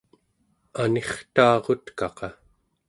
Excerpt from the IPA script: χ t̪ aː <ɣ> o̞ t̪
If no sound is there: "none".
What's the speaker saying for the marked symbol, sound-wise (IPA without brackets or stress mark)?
ʁ